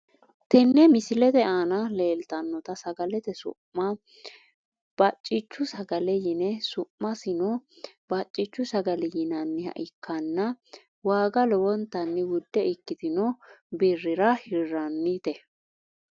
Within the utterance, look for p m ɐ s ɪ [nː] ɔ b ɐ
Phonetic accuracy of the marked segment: incorrect: n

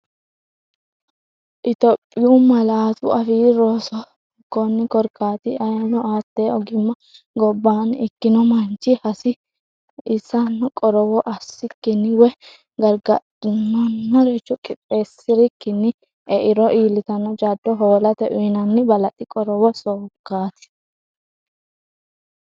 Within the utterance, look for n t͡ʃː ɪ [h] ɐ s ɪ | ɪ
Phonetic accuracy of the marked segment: correct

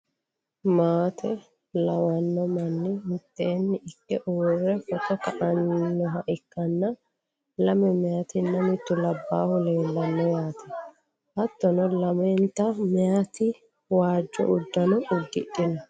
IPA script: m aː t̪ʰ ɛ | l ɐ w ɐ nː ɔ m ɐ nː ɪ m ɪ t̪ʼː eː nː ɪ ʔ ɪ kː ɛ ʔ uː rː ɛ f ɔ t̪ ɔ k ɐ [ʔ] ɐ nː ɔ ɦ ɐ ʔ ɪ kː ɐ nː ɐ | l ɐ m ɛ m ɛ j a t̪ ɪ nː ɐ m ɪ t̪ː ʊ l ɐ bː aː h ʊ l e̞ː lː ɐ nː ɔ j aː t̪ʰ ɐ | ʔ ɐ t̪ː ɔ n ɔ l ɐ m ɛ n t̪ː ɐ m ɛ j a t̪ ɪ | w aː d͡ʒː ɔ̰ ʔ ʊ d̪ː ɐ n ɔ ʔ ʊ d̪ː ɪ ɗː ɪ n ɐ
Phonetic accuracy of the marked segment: correct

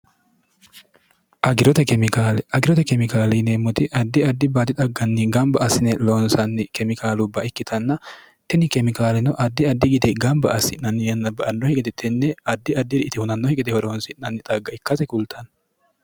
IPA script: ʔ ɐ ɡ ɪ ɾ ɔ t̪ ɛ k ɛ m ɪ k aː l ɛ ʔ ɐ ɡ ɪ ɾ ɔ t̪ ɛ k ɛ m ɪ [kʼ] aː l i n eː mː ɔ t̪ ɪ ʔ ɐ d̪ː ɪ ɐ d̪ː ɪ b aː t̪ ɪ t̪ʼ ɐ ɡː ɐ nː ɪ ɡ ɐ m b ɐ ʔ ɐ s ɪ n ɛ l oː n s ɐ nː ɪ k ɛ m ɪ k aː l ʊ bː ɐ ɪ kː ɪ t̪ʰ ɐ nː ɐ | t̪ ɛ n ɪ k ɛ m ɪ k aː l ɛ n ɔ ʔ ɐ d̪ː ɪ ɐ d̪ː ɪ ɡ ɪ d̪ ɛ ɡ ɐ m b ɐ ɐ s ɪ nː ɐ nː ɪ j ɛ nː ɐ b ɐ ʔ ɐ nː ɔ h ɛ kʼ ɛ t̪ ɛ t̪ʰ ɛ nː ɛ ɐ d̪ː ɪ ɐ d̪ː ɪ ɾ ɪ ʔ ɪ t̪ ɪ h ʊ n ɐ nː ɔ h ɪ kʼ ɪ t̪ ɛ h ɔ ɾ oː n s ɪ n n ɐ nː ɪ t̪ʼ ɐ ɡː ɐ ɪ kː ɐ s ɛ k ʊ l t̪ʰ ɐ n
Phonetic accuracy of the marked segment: incorrect: k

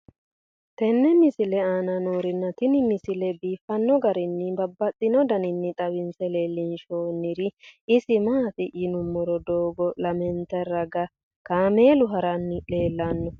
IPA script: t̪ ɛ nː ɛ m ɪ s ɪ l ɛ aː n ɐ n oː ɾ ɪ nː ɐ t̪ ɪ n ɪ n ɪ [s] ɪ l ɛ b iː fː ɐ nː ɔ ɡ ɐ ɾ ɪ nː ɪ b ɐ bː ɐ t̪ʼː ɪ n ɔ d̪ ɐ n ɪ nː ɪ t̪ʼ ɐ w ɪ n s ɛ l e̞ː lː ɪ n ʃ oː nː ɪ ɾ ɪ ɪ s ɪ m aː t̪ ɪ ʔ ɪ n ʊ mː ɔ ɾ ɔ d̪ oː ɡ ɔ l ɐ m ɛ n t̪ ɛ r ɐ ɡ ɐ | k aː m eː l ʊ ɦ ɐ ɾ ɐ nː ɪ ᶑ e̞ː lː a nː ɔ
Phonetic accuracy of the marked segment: correct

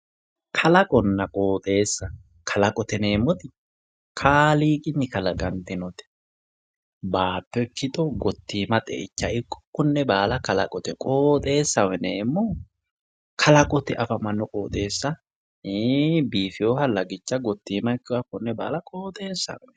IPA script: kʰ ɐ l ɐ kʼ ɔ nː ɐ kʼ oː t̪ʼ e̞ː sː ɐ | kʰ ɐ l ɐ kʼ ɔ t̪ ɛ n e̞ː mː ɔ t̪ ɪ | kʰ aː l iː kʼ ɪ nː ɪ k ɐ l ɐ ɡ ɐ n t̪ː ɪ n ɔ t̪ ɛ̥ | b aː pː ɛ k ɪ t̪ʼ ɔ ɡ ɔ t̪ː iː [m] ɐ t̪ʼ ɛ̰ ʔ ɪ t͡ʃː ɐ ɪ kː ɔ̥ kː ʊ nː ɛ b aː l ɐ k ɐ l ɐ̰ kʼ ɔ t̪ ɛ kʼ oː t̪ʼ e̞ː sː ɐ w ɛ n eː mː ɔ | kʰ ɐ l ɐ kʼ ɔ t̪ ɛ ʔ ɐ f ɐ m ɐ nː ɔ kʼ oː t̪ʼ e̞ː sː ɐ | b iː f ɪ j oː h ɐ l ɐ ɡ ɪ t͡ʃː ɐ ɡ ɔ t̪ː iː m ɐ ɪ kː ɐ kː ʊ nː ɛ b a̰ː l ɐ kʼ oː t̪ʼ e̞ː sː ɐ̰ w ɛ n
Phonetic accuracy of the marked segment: correct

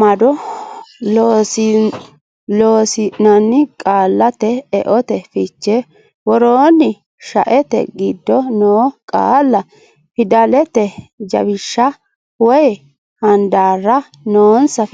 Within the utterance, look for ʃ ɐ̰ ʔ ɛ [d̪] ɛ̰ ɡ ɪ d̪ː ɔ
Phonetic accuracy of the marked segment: incorrect: t̪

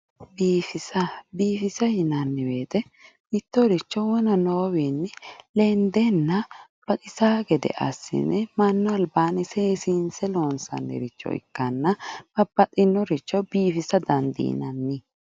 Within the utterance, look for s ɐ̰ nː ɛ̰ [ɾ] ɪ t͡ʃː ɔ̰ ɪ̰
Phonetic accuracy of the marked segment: correct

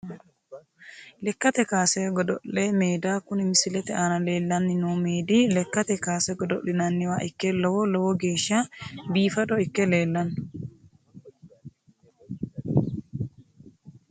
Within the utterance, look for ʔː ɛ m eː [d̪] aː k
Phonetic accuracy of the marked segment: correct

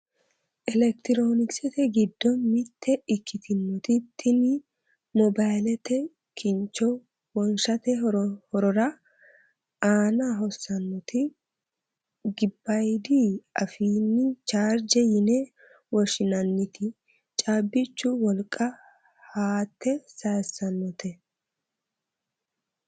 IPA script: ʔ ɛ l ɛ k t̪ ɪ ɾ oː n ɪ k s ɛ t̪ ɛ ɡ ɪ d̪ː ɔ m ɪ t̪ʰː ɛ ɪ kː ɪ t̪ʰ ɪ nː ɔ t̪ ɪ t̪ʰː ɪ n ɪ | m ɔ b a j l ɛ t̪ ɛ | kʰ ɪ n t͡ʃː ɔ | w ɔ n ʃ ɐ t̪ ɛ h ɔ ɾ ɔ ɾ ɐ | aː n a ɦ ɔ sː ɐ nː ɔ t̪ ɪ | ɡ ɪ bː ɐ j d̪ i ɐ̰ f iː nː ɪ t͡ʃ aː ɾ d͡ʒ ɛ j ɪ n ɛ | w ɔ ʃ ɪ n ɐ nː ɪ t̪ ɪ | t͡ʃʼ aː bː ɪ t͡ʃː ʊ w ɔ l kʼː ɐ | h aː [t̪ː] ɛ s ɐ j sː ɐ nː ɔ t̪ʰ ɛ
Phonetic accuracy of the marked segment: correct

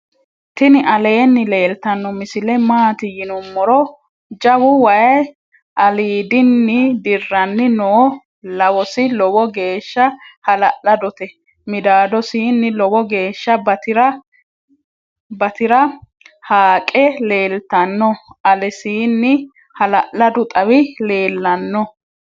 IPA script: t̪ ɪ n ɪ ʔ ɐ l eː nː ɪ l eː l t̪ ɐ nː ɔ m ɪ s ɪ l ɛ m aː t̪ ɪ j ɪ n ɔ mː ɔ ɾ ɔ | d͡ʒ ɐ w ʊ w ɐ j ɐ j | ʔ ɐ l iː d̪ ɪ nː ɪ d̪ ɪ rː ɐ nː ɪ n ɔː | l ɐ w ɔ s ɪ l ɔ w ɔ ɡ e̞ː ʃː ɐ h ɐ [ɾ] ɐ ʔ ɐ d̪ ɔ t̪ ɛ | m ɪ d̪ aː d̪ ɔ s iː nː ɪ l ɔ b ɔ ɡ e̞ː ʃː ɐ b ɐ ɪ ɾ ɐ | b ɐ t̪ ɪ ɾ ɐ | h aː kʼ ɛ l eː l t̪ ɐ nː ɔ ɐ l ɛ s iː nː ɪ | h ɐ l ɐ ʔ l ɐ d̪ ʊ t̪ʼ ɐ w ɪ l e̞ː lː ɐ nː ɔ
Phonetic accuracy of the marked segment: incorrect: l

